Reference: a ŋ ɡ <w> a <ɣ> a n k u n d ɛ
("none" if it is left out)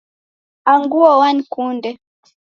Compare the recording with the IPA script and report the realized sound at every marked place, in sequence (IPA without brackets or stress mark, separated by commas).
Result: u, w